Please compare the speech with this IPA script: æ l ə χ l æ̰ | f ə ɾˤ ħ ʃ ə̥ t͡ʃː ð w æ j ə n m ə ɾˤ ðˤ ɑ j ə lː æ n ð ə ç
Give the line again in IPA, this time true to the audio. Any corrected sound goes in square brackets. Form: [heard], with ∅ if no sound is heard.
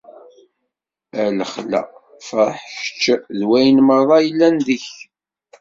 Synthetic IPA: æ l ə χ l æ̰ | f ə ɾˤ ħ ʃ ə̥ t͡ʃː ð w æ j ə n m ə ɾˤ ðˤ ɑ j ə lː æ n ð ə ç